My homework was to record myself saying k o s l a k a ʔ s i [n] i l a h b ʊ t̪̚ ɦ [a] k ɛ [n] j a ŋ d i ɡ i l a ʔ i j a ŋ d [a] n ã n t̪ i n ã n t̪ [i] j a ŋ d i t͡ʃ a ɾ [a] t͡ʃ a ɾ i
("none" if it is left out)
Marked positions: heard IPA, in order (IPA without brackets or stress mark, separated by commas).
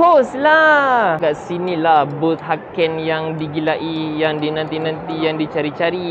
n, a, n, i, i, i